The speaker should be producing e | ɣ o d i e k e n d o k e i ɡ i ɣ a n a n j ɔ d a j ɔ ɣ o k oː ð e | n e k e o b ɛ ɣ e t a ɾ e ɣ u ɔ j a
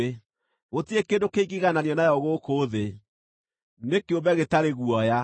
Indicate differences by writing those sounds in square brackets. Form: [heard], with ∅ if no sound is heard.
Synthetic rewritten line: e | ɣ o [t] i e k e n d o k e i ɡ i ɣ a n a n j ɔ [n] a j ɔ ɣ o k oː ð e | n e k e o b ɛ ɣ e t a ɾ e ɣ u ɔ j a